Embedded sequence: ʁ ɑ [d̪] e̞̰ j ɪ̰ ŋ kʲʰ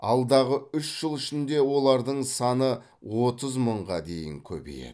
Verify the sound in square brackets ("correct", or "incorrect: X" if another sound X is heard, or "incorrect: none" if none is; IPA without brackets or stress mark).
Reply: correct